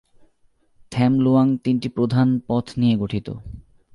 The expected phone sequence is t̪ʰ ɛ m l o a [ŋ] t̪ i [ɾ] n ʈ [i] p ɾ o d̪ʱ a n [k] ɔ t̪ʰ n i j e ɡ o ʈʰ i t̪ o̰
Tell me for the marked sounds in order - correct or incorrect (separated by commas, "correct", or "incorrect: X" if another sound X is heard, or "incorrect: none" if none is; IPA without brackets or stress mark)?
correct, incorrect: none, correct, incorrect: p